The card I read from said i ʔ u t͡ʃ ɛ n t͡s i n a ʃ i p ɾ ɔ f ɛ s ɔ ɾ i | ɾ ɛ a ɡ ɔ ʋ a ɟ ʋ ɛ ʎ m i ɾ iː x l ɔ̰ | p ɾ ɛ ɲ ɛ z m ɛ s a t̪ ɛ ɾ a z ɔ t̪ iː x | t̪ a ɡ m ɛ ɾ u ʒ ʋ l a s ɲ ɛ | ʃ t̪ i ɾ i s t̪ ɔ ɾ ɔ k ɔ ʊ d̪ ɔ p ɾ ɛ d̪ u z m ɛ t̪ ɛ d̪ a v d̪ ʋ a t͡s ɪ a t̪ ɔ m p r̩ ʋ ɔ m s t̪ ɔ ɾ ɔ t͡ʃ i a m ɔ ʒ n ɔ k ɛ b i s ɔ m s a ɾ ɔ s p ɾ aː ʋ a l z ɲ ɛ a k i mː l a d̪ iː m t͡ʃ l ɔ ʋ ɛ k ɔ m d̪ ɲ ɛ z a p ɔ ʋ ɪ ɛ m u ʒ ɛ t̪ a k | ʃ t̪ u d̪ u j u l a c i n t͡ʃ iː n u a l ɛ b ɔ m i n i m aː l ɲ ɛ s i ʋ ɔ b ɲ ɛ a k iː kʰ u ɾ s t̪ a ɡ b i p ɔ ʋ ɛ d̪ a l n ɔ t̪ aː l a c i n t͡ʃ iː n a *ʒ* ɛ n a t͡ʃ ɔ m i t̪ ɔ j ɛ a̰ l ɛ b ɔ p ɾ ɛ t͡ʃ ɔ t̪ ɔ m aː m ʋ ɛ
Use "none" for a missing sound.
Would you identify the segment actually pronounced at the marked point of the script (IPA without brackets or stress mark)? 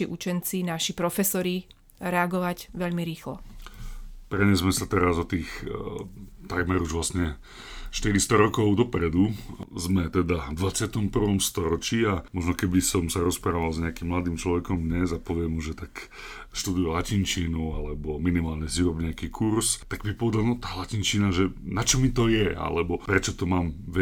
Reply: ʒ